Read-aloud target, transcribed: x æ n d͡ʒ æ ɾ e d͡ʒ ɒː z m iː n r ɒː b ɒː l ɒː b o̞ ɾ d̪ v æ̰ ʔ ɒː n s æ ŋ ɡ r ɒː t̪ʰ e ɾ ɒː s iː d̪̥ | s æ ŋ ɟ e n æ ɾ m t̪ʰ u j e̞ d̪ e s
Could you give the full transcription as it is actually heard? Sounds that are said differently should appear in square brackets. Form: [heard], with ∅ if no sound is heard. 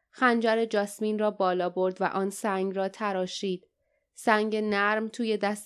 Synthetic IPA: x æ n d͡ʒ æ ɾ e d͡ʒ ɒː [s] m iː n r ɒː b ɒː l ɒː b o̞ ɾ d̪ v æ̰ ʔ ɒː n s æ ŋ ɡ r ɒː t̪ʰ [æ] ɾ ɒː [ʃ] iː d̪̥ | s æ ŋ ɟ e n æ ɾ m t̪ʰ [uː] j e̞ d̪ [æ] s